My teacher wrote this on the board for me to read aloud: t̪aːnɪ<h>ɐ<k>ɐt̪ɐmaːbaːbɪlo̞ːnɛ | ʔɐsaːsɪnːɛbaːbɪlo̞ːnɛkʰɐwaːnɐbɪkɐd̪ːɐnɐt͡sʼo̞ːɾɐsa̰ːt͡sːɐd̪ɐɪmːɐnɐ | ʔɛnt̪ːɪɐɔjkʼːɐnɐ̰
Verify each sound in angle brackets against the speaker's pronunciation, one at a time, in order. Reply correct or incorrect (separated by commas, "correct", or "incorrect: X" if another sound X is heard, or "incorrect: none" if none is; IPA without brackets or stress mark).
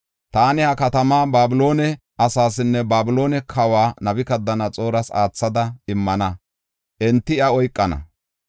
correct, correct